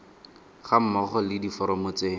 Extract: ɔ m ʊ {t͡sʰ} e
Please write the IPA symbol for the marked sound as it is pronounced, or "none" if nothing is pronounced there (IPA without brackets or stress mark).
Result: t͡s